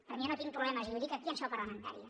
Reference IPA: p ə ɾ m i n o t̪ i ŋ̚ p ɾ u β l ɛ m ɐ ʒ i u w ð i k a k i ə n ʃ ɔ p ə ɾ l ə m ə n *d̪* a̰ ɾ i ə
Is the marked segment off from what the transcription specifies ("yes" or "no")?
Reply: yes